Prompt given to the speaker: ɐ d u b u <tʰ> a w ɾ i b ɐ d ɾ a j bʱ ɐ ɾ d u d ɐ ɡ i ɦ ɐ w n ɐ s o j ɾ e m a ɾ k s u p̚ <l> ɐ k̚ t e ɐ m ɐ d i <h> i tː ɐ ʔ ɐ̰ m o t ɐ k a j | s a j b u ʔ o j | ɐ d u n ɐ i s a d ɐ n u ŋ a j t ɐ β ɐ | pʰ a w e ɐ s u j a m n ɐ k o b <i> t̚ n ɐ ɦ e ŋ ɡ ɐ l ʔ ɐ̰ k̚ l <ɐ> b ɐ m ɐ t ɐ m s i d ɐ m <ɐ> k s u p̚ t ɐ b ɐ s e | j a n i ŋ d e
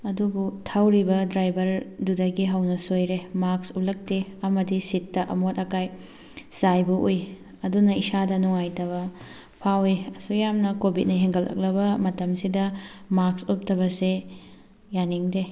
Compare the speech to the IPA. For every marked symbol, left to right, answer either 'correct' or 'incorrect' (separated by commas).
correct, correct, incorrect, correct, correct, incorrect